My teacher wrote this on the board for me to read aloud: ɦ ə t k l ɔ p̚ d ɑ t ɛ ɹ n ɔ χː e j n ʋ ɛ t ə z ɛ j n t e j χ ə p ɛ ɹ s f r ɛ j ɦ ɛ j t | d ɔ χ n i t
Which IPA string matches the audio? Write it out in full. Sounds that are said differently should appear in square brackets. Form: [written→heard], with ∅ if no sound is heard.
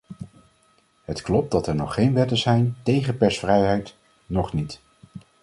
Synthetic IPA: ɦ ə t k l ɔ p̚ d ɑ t ɛ ɹ n ɔ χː e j n ʋ ɛ t ə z ɛ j n t e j χ ə p ɛ ɹ s f r ɛ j ɦ ɛ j t | [d→n] ɔ χ n i t